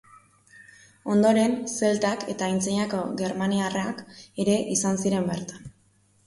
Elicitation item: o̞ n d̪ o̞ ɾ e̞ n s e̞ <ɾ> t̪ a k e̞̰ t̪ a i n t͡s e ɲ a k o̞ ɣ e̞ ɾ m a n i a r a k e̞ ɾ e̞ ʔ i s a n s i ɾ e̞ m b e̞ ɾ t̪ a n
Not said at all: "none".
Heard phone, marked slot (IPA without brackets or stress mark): l